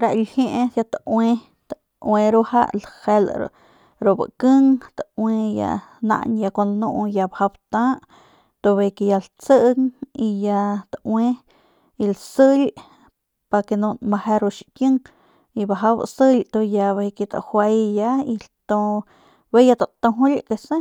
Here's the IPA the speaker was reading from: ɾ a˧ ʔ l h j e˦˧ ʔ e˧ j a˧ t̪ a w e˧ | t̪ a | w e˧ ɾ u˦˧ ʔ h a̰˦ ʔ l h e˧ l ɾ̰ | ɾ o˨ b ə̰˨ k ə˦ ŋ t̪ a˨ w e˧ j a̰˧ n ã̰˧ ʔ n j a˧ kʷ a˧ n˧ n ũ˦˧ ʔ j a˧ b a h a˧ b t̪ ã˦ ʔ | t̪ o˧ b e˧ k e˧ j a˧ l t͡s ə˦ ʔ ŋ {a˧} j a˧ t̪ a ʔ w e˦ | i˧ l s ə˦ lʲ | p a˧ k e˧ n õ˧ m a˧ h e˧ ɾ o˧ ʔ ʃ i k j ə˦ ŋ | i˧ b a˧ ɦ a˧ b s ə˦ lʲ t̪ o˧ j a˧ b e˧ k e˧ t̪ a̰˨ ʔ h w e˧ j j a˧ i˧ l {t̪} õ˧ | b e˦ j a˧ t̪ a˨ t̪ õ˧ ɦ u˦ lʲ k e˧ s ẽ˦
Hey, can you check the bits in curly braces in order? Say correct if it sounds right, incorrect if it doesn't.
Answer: incorrect, correct

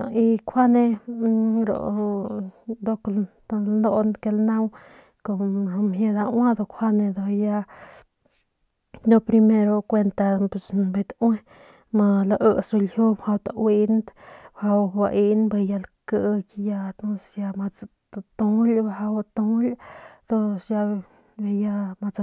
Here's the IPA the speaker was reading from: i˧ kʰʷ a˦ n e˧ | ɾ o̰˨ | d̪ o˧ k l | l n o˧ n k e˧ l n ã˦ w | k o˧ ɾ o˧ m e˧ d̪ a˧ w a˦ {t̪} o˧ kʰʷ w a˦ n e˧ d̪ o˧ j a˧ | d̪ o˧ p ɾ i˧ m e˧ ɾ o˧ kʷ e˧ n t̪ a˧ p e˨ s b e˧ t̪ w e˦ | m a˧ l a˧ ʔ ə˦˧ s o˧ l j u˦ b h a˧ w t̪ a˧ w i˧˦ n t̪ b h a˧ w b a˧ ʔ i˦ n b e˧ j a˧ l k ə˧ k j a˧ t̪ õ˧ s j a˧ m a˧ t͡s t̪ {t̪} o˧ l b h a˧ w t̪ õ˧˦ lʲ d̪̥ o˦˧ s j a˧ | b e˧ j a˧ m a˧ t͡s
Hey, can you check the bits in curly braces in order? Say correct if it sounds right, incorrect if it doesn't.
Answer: incorrect, correct

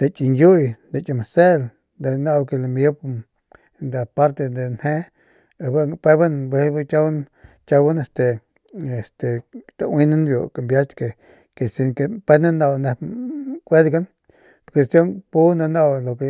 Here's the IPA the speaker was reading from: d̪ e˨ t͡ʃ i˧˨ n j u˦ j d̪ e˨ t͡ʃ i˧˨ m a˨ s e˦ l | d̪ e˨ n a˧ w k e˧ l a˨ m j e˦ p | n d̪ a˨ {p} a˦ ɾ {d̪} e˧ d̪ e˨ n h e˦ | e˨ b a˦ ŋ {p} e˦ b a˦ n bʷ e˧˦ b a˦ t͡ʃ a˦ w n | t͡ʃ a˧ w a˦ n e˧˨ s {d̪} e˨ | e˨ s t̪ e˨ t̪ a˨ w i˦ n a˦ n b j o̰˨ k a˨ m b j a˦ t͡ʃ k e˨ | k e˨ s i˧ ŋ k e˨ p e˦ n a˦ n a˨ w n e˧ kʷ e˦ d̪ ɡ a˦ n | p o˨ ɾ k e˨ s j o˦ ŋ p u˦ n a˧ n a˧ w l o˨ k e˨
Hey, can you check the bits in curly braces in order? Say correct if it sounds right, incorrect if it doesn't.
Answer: correct, incorrect, correct, incorrect

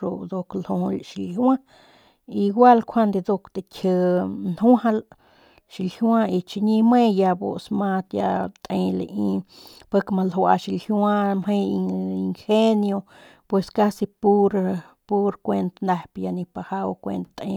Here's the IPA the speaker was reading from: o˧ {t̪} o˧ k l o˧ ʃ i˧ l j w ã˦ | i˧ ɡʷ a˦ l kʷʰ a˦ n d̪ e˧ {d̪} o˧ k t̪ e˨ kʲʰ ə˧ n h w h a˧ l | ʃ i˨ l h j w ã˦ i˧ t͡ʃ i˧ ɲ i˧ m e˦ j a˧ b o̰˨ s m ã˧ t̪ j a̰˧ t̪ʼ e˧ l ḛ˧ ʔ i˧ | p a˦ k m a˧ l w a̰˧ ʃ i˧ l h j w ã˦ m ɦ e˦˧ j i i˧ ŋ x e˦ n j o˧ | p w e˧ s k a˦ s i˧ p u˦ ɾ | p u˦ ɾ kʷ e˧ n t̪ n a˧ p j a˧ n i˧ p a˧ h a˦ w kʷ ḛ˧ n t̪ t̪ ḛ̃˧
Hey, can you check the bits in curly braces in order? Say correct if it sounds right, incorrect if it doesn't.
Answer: incorrect, correct

